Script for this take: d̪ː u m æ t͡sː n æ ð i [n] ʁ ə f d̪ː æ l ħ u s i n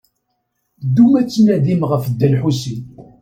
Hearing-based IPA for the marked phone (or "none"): m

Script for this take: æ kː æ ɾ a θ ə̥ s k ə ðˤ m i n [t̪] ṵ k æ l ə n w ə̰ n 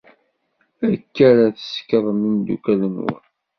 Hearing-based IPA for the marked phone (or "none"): d̪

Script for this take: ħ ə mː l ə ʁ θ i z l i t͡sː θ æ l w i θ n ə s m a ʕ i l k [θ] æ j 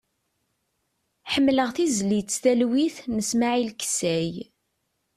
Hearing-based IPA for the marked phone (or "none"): s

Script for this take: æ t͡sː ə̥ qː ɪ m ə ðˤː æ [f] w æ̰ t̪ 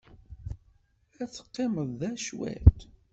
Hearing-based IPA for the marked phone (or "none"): ʃ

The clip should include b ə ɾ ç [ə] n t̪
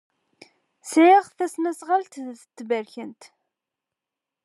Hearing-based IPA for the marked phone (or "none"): ə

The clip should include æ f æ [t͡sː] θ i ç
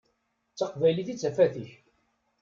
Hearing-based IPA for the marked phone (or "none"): none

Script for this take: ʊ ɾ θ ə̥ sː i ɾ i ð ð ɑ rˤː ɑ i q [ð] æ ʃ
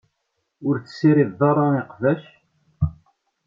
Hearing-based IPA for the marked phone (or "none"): v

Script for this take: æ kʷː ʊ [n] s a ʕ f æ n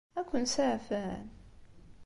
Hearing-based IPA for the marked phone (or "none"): n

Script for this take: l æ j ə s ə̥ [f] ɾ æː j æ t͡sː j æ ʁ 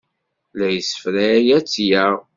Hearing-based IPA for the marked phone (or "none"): f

